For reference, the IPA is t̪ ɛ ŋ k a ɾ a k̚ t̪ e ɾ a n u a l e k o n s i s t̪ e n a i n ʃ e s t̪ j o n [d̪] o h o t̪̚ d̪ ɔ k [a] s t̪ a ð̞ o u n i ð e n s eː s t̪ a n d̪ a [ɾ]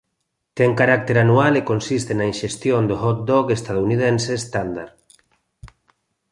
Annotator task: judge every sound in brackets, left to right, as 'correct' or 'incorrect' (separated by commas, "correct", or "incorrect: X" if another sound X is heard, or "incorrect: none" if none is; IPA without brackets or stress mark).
correct, incorrect: e, correct